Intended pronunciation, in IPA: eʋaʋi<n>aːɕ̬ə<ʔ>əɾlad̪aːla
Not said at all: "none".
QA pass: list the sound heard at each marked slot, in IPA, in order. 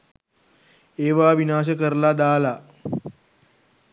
n, k

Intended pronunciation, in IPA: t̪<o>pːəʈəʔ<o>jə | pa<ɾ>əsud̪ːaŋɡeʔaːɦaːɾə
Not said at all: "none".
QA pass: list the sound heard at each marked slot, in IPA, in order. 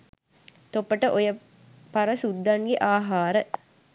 o, o, ɾ

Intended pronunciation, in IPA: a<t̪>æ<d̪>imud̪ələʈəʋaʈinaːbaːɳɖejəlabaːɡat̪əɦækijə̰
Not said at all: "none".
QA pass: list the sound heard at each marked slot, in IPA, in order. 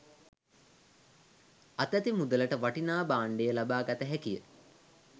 t̪, t̪

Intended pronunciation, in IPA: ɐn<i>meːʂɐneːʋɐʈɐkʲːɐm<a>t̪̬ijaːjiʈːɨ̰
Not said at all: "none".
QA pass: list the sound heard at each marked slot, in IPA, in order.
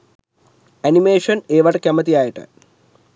i, ɐ

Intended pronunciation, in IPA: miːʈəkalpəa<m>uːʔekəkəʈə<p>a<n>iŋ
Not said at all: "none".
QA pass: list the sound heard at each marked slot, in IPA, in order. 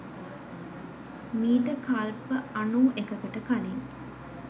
n, k, n

